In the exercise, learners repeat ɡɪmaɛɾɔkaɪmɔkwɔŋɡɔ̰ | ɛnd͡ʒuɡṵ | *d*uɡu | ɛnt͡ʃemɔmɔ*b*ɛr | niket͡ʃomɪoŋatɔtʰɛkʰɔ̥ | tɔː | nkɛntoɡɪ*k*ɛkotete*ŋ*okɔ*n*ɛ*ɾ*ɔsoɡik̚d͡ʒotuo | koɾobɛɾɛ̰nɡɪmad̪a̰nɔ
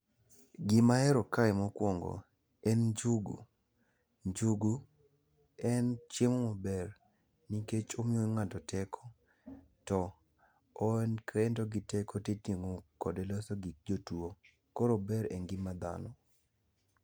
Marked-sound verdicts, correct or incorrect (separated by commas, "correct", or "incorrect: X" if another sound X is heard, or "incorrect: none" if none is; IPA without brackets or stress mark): incorrect: d͡ʒ, correct, incorrect: t, correct, incorrect: d, incorrect: l